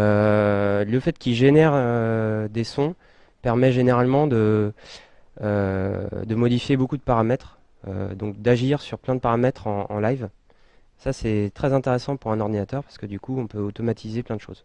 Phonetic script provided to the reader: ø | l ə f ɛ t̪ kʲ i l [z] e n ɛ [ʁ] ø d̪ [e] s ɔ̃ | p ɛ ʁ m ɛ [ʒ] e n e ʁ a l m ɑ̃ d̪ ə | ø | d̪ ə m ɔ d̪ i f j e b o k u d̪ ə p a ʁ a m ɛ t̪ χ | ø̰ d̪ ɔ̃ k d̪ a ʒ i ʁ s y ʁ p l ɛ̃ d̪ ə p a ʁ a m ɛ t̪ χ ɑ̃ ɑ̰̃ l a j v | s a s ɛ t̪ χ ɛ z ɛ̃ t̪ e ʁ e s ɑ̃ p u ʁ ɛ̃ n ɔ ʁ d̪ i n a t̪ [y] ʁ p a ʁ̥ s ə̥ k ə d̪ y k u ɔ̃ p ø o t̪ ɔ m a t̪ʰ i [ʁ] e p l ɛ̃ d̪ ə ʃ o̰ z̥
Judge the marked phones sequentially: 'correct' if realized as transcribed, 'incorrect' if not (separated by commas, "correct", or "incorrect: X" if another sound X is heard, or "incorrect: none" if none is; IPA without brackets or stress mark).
incorrect: ʒ, correct, correct, correct, incorrect: œ, incorrect: z